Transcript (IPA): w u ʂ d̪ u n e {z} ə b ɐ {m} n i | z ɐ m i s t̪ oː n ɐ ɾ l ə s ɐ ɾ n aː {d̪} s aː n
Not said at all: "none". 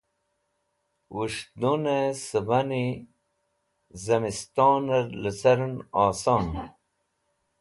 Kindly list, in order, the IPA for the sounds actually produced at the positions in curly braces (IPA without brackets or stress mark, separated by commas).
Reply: s, none, none